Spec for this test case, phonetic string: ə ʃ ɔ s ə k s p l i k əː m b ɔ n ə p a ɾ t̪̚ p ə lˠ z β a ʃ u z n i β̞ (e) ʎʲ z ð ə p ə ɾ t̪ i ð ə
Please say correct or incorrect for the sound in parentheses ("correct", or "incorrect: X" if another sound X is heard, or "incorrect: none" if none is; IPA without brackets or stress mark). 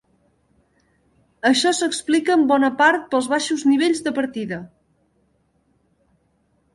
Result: correct